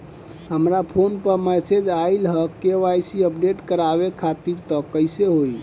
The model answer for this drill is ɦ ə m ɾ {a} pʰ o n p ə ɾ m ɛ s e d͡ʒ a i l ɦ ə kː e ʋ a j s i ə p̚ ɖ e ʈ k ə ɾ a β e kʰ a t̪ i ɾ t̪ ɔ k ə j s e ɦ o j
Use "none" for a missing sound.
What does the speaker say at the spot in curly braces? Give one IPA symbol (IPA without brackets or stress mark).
a